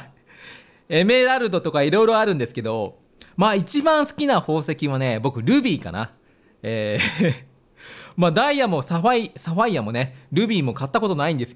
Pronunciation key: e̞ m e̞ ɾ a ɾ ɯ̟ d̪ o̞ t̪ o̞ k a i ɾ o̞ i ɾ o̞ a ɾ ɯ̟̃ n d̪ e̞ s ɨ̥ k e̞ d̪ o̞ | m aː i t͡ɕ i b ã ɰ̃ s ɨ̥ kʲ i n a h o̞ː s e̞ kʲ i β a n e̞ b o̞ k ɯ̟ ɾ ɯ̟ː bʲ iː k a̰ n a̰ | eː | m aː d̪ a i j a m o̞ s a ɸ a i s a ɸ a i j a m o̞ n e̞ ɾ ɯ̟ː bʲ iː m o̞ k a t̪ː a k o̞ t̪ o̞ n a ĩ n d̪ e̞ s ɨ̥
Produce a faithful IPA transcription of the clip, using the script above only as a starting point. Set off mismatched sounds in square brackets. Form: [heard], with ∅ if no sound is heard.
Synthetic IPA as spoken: e̞ m e̞ ɾ a ɾ ɯ̟ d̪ o̞ t̪ o̞ k a i ɾ o̞ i ɾ o̞ a ɾ ɯ̟̃ n d̪ e̞ s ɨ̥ k e̞ d̪ o̞ | m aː i t͡ɕ i b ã ɰ̃ s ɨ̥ kʲ i n a h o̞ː s e̞ kʲ i β a n e̞ b o̞ k ɯ̟ ɾ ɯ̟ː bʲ iː k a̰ n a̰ | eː | m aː d̪ a i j a m o̞ s a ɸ a i s a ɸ a i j a m o̞ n e̞ ɾ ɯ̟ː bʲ iː m o̞ k a t̪ː a k o̞ t̪ o̞ n a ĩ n d̪ e̞ s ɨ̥